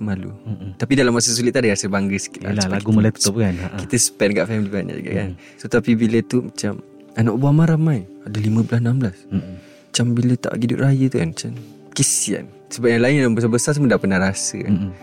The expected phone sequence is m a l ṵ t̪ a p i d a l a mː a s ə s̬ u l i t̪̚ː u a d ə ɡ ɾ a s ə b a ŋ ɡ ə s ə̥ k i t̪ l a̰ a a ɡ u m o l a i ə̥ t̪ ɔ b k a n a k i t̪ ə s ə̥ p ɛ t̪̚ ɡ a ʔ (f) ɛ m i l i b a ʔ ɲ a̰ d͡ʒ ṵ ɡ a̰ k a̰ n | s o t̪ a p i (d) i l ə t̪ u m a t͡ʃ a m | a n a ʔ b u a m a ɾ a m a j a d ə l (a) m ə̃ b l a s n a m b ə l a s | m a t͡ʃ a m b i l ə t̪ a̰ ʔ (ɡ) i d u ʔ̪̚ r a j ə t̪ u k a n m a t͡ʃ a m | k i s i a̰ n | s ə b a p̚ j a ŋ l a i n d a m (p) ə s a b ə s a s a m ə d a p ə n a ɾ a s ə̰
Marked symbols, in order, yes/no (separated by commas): yes, no, no, yes, no